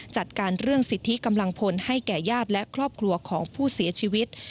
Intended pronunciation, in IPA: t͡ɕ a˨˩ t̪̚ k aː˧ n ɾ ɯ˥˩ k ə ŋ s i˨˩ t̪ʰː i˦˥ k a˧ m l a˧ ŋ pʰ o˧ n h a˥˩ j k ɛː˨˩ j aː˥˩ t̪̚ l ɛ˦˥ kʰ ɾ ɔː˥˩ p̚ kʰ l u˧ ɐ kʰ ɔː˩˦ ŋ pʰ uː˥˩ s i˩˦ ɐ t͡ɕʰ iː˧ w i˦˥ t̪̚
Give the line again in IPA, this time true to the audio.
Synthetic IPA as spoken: t͡ɕ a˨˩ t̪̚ k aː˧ n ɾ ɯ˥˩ ə ŋ s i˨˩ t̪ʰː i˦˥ k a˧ m l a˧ ŋ pʰ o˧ n h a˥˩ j k ɛː˨˩ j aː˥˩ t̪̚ l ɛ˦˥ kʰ ɾ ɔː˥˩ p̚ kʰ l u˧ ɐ kʰ ɔː˩˦ ŋ pʰ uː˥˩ s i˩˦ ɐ t͡ɕʰ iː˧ w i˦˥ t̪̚